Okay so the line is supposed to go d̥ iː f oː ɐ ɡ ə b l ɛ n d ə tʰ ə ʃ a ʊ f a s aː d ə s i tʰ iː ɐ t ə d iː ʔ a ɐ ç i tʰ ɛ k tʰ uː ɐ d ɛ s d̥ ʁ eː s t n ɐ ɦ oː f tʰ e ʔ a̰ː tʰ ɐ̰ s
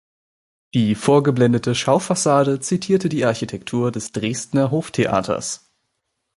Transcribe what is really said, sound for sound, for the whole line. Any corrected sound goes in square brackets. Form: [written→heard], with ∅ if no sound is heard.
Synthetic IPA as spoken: d̥ iː f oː ɐ ɡ ə b l ɛ n d ə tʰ ə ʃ a ʊ f a s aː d ə [s→t͡s] i tʰ iː ɐ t ə d iː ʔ a ɐ ç i tʰ ɛ k tʰ uː ɐ d ɛ s d̥ ʁ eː s t n ɐ ɦ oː f tʰ e ʔ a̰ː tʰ ɐ̰ s